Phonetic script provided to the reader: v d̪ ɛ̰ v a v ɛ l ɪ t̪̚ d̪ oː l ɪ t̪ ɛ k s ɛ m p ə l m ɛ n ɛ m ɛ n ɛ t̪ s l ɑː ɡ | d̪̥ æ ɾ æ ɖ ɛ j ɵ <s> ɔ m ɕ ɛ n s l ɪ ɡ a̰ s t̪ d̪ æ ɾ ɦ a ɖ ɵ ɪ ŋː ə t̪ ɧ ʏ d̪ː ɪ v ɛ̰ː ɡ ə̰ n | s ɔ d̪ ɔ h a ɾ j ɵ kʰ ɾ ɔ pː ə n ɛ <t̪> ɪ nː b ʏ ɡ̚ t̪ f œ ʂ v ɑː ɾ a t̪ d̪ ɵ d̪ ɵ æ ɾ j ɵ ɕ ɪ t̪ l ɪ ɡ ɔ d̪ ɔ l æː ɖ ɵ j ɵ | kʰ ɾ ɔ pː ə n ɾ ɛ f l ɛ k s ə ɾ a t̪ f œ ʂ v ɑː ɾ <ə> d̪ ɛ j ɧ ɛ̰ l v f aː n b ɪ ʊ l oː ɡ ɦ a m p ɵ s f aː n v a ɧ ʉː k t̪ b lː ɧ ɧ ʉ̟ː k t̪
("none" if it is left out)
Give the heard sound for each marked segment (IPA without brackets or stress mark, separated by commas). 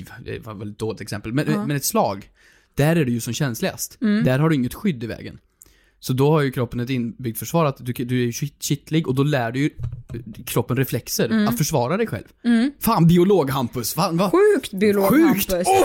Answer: s, t̪, a